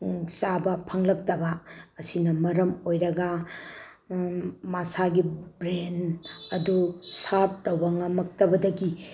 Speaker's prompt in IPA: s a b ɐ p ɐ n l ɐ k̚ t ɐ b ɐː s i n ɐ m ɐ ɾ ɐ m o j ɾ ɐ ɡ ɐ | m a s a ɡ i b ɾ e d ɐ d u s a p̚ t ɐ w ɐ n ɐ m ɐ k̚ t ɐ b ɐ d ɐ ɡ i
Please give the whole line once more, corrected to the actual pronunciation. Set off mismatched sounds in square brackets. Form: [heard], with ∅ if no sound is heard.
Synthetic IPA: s a b ɐ [pʰ] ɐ [ŋ] l ɐ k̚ t ɐ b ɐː s i n ɐ m ɐ ɾ ɐ m o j ɾ ɐ ɡ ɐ | m a s a ɡ i b ɾ e [n] ɐ d u s a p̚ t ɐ w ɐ [ŋ] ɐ m ɐ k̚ t ɐ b ɐ d ɐ ɡ i

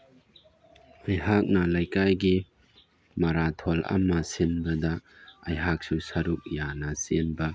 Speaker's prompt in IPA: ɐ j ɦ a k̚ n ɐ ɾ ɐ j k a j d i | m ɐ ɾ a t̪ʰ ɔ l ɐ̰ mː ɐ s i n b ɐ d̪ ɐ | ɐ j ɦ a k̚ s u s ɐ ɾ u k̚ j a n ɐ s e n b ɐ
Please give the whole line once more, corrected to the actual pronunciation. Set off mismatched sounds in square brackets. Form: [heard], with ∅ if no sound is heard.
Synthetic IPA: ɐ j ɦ a k̚ n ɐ [l] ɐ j k a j [ɡ] i | m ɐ ɾ a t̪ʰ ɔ l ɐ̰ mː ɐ s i n b ɐ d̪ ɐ | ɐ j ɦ a k̚ s u s ɐ ɾ u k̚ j a n ɐ s e n b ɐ

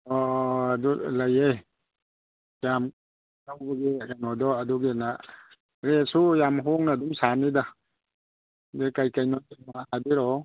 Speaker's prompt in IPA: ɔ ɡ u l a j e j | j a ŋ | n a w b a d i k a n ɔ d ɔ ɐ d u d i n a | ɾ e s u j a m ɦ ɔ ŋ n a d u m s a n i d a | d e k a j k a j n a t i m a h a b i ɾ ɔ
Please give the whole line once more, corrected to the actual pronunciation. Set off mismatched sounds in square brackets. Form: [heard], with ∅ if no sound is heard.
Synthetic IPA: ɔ [d] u l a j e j | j a [m] | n a w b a [ɡ] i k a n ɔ d ɔ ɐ d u [ɡ] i n a | ɾ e s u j a m ɦ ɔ ŋ n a d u m s a n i d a | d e k a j k a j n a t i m a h a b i ɾ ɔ

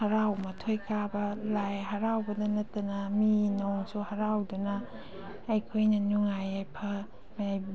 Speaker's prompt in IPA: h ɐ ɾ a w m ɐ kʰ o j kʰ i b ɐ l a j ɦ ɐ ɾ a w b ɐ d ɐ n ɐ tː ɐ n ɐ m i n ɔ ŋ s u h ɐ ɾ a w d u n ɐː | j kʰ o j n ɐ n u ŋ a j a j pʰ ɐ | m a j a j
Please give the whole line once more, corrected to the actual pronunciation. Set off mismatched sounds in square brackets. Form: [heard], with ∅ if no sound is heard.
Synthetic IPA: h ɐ ɾ a w m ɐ [tʰ] o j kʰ [a] b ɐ l a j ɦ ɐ ɾ a w b ɐ d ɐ n ɐ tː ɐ n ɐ m i n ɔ ŋ s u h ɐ ɾ a w d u n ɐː | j kʰ o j n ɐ n u ŋ a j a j pʰ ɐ | m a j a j

